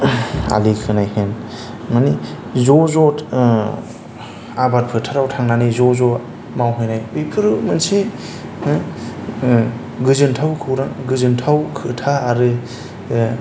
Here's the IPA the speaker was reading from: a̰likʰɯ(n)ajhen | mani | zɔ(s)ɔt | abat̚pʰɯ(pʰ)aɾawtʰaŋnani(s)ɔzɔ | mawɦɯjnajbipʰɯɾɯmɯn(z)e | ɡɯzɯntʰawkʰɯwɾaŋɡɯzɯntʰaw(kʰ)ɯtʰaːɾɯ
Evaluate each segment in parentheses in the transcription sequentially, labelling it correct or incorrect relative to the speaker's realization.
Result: correct, incorrect, incorrect, incorrect, incorrect, correct

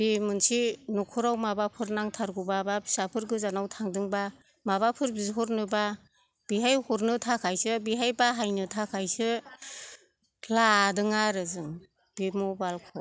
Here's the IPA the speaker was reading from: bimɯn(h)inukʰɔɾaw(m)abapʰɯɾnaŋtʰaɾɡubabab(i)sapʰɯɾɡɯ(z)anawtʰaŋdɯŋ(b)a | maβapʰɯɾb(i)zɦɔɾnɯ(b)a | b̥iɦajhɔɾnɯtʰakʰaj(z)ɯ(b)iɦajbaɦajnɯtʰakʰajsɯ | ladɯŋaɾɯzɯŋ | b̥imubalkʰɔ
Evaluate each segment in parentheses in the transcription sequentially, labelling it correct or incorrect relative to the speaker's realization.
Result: incorrect, correct, correct, correct, correct, correct, correct, incorrect, correct

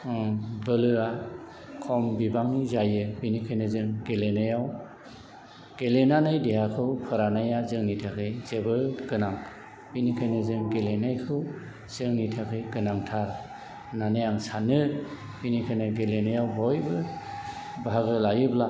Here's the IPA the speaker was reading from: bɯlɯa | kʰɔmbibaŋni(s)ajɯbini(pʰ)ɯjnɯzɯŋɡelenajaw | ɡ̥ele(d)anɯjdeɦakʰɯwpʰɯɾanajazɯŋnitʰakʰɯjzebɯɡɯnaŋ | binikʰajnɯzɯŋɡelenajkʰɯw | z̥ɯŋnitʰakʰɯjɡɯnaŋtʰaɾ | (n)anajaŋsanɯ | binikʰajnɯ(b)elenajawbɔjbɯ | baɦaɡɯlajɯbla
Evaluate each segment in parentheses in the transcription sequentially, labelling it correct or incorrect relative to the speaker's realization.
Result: incorrect, incorrect, incorrect, correct, incorrect

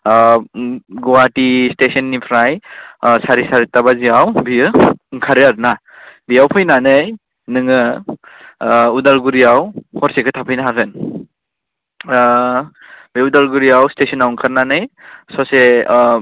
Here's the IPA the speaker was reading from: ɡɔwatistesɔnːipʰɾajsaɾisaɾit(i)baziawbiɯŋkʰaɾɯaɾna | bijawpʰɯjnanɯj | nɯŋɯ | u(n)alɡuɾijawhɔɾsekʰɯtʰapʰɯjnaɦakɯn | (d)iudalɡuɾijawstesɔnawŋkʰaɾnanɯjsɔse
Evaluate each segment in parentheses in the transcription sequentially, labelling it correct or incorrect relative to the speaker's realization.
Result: incorrect, incorrect, incorrect

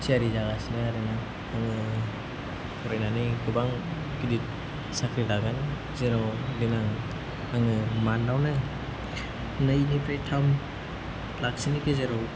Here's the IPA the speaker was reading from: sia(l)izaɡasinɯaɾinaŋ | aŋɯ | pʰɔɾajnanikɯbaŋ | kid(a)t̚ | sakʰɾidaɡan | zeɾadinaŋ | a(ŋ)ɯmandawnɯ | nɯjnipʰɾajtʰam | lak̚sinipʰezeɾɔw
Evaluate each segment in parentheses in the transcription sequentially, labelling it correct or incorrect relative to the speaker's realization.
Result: incorrect, incorrect, correct

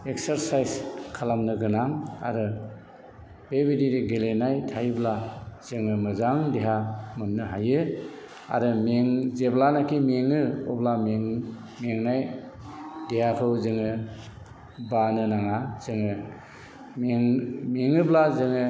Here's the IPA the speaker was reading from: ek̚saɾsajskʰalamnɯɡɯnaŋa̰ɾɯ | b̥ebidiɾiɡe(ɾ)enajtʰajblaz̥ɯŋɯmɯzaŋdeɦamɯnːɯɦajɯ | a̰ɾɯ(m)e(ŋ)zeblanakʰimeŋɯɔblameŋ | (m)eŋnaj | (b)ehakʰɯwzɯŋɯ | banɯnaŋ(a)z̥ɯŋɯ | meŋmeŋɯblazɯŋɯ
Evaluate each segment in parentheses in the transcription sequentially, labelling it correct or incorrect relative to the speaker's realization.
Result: incorrect, correct, correct, correct, incorrect, correct

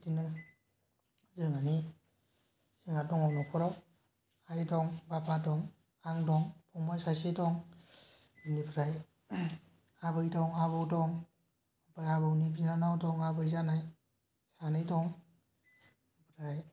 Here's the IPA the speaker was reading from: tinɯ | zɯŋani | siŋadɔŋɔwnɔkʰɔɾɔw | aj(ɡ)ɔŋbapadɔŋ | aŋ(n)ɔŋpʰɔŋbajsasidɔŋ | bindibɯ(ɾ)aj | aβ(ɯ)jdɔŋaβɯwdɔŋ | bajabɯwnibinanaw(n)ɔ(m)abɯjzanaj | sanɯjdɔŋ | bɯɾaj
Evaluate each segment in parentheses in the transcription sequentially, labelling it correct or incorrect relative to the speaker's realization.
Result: incorrect, incorrect, correct, correct, incorrect, incorrect

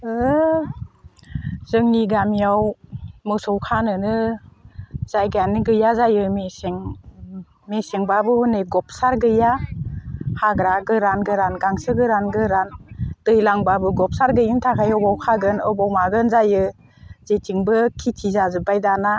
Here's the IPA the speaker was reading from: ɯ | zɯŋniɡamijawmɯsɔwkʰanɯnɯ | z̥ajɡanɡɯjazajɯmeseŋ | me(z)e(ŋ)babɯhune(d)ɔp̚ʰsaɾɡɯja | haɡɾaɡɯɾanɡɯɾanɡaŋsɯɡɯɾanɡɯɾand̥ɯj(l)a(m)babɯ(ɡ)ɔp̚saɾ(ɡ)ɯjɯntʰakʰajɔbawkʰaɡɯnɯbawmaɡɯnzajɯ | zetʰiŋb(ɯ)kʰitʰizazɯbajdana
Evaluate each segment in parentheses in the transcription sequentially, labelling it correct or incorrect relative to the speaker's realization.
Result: incorrect, correct, incorrect, correct, incorrect, correct, correct, correct

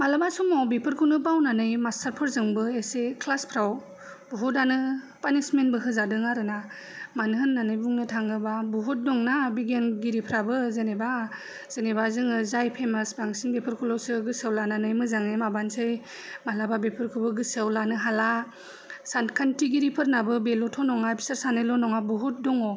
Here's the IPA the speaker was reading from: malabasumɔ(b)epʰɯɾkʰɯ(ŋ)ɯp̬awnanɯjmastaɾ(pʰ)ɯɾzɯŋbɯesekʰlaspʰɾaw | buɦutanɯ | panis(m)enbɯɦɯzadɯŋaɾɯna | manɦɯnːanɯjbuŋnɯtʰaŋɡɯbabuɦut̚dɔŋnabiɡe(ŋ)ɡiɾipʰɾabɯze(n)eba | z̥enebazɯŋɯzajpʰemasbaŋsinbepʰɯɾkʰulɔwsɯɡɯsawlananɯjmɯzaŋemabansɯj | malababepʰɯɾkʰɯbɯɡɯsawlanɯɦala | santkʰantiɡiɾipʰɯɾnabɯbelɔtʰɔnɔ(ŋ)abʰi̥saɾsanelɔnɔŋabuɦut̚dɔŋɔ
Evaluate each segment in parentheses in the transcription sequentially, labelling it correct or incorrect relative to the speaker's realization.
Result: correct, incorrect, correct, correct, incorrect, correct, correct

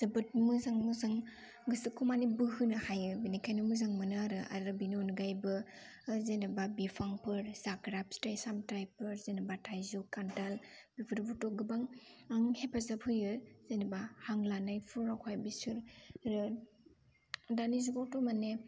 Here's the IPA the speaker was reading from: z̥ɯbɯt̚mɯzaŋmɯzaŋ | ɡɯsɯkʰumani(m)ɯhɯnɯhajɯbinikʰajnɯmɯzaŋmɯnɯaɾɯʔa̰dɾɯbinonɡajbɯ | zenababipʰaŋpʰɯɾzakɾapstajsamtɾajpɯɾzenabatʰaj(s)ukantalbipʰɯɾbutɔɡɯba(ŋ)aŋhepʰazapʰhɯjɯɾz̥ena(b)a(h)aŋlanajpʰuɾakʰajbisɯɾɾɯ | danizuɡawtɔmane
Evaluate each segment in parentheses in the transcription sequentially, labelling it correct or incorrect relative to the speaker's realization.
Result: incorrect, incorrect, correct, correct, correct

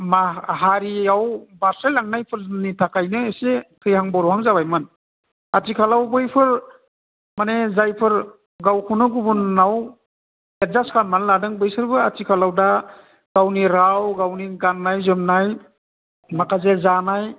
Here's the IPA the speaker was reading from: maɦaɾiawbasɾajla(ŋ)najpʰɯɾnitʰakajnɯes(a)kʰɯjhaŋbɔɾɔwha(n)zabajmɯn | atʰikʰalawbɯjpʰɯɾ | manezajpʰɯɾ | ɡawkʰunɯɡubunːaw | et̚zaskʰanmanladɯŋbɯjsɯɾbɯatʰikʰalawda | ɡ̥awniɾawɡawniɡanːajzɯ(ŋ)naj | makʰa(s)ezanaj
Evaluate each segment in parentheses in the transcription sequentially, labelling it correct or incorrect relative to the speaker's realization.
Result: correct, incorrect, incorrect, incorrect, incorrect

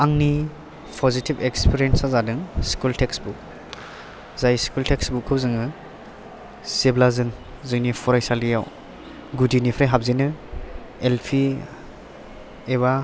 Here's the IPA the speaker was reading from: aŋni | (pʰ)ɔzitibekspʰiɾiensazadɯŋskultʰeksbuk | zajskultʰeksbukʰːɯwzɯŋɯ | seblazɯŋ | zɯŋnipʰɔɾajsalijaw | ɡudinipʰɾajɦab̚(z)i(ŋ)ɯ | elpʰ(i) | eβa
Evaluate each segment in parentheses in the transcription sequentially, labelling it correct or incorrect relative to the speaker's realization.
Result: correct, correct, incorrect, correct

